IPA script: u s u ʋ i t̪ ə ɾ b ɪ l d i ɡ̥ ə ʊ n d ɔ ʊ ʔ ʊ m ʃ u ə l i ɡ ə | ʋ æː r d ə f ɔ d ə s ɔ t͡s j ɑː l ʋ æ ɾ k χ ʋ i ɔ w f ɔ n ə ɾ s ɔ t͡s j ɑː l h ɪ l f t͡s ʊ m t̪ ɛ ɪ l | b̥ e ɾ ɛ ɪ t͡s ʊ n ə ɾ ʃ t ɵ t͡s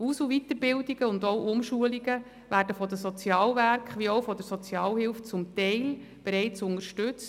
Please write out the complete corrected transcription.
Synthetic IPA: u s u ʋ i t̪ ə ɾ b ɪ l d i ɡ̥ ə ʊ n d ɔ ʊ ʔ ʊ m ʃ u ə l i ɡ ə | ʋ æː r d ə f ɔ d ə s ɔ t͡s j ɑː l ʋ æ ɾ k χ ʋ i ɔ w f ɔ d ə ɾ s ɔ t͡s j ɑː l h ɪ l f t͡s ʊ m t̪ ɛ ɪ l | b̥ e ɾ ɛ ɪ t͡s ʊ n ə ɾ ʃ t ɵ t͡s